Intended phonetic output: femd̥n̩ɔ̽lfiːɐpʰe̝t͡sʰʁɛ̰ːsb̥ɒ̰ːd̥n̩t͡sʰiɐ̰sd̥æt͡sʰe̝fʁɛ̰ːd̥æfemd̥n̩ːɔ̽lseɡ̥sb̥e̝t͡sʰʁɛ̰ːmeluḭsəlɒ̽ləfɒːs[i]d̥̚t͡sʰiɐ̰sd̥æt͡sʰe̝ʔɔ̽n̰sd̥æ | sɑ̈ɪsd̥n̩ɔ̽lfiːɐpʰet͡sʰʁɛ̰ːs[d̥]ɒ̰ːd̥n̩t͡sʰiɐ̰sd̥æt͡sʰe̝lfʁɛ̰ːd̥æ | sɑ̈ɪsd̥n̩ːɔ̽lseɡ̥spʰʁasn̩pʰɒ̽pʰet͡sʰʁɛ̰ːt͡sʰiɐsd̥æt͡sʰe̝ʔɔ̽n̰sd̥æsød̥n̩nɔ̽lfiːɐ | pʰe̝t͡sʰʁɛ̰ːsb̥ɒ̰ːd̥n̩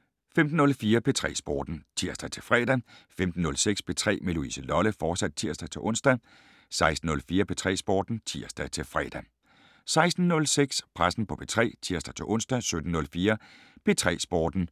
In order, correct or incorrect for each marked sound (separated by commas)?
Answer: incorrect, incorrect